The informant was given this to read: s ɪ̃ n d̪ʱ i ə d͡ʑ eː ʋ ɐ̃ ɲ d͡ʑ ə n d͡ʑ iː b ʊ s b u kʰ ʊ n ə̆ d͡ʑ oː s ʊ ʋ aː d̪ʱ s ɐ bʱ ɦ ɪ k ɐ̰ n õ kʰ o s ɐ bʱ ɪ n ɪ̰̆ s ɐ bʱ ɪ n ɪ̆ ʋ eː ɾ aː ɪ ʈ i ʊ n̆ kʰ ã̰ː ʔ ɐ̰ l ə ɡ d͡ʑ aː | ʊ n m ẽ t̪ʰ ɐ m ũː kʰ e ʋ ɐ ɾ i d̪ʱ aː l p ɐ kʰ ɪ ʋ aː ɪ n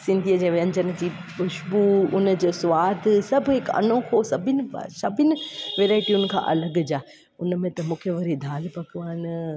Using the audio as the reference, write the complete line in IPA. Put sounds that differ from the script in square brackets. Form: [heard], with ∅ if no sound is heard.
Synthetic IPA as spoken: s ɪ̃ n d̪ʱ i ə d͡ʑ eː ʋ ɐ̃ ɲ d͡ʑ ə n d͡ʑ iː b ʊ [ʃ] b u [∅] ʊ n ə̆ d͡ʑ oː s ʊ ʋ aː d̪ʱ s ɐ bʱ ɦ ɪ k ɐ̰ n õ kʰ o s ɐ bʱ ɪ n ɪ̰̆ s ɐ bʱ ɪ n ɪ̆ ʋ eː ɾ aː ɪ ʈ i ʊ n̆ kʰ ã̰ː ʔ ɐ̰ l ə ɡ d͡ʑ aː | ʊ n m ẽ [t̪] ɐ m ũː kʰ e ʋ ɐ ɾ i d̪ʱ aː l p ɐ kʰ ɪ ʋ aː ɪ n